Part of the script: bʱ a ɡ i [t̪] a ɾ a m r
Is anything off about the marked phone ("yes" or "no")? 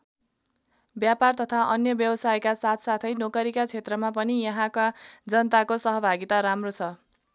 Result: no